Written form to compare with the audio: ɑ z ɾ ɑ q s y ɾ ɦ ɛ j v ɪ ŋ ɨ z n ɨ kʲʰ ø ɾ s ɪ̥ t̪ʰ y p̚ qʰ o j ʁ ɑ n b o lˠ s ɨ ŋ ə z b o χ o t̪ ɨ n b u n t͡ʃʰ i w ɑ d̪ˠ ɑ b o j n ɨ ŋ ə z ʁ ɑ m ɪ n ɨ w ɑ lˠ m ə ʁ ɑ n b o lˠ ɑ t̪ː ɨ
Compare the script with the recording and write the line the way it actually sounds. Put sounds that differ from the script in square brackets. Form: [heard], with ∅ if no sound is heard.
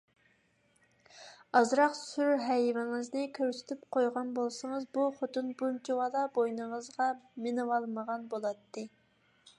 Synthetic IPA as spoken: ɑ z ɾ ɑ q s y ɾ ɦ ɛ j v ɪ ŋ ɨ z n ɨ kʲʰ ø ɾ s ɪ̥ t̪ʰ y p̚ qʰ o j ʁ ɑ n b o lˠ s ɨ ŋ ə z b [u] χ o t̪ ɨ n b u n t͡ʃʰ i w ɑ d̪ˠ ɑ b o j n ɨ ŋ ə z ʁ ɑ m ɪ n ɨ w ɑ lˠ m ə ʁ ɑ n b o lˠ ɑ t̪ː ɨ